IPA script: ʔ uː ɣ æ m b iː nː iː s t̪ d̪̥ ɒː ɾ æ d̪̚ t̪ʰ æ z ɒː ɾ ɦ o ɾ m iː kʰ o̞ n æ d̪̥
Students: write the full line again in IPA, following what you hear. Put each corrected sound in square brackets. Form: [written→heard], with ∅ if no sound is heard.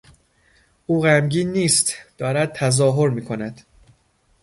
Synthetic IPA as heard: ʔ uː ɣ æ m [b→ɟ] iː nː iː s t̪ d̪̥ ɒː ɾ æ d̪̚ t̪ʰ æ z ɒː [ɾ→∅] ɦ o ɾ m iː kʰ o̞ n æ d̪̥